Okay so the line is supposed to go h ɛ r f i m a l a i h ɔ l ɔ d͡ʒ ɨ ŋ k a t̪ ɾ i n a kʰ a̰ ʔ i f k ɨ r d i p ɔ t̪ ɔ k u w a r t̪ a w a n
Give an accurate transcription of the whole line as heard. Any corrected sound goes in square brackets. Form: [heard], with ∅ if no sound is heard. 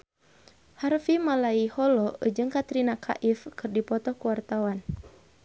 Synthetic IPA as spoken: h [a] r f i m a l a i h ɔ l ɔ d͡ʒ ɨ ŋ k a t̪ ɾ i n a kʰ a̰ ʔ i f k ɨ r d i p ɔ t̪ ɔ k u w a r t̪ a w a n